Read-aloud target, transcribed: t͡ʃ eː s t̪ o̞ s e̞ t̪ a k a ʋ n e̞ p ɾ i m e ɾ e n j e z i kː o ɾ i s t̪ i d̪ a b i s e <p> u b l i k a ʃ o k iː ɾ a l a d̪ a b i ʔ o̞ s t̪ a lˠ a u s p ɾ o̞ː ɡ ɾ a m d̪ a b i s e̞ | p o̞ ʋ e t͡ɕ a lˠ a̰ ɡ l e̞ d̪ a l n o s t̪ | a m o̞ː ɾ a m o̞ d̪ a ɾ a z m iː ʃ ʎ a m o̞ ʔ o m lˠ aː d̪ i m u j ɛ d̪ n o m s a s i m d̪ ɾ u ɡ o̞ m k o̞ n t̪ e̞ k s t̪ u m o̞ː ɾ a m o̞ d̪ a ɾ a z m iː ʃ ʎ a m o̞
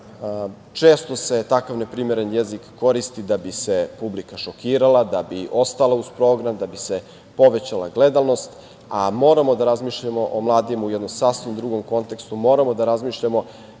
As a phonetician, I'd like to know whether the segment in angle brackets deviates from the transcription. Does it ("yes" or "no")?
no